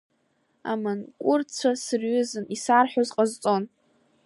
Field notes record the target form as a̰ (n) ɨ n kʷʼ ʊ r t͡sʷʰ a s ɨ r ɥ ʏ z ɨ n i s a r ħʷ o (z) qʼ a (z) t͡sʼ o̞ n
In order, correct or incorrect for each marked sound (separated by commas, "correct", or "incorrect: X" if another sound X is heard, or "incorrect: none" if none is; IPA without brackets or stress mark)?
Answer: incorrect: m, correct, correct